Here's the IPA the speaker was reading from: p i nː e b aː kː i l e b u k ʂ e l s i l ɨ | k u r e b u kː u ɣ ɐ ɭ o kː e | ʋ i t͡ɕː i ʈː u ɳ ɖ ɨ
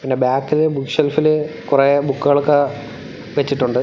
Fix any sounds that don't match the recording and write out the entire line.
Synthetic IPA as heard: p i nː e b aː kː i l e b u k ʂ e l f i l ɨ | k u r e b u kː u ɣ ɐ ɭ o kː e | ʋ e t͡ɕː i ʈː u ɳ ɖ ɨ